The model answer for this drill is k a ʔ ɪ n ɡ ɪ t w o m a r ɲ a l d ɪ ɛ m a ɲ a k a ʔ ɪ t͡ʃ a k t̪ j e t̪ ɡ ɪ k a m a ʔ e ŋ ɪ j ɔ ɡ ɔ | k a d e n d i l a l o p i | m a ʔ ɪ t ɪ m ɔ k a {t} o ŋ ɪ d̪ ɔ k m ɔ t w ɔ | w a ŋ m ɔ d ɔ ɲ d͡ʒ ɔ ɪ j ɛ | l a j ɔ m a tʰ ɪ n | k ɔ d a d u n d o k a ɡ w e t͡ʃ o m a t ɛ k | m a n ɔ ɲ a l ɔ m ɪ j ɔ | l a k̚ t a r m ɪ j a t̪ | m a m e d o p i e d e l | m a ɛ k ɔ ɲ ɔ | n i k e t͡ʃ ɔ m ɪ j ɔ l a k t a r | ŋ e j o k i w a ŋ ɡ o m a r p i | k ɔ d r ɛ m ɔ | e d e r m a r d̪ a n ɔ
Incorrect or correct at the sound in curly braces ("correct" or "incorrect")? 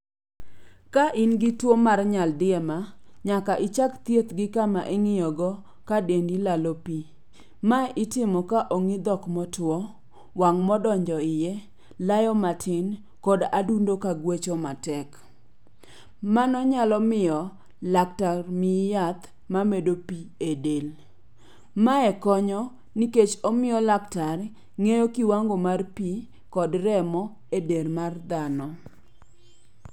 incorrect